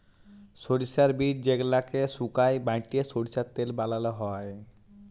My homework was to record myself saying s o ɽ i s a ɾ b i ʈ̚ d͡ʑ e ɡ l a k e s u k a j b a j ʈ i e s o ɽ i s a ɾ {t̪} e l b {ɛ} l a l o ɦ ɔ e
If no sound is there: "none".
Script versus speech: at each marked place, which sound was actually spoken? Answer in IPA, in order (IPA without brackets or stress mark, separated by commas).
t̪, a